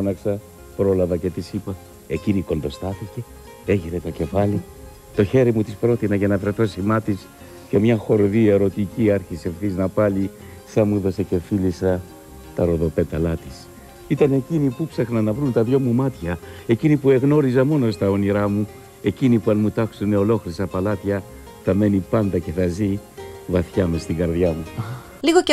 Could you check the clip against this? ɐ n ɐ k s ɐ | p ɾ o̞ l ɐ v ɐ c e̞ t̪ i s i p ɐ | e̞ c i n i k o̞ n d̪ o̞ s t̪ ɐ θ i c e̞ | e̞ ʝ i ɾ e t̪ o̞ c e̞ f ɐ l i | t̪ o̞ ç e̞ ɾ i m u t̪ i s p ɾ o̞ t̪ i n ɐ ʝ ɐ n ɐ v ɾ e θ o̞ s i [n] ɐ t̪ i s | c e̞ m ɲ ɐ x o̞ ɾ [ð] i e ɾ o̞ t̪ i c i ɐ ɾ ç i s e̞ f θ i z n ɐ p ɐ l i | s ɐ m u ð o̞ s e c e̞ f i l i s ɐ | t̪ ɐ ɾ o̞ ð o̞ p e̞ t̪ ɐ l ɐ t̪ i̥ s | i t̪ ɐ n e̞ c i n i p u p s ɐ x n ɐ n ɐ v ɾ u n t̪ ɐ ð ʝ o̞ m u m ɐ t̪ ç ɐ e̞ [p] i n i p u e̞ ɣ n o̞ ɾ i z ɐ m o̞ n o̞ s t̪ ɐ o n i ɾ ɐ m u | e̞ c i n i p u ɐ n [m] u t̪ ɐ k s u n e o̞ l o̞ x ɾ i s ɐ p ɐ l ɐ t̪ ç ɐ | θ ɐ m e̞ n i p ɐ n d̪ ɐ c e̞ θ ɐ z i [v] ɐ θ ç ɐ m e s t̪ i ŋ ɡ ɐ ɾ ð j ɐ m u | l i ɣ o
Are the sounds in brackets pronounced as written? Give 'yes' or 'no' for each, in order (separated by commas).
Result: no, yes, no, yes, yes